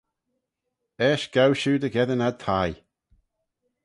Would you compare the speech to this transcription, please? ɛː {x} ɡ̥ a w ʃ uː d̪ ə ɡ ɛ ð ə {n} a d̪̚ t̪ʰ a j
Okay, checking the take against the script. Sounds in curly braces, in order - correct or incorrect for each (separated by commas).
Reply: incorrect, correct